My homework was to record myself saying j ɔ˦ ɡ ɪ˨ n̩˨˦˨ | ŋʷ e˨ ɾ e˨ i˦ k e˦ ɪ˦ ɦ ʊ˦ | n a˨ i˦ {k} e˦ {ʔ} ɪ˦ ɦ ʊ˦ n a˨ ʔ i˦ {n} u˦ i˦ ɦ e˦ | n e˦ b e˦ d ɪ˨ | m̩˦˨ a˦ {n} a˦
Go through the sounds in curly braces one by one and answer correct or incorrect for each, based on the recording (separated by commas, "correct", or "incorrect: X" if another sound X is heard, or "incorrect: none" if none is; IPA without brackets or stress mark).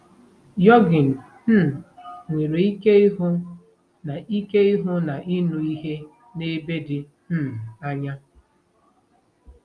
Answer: correct, incorrect: none, correct, incorrect: ɲ